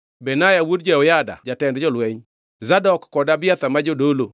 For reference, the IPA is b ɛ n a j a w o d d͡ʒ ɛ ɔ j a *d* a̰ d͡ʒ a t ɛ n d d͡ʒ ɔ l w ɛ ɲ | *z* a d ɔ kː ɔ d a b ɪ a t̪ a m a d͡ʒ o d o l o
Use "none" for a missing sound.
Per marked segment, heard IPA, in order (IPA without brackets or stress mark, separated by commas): d, z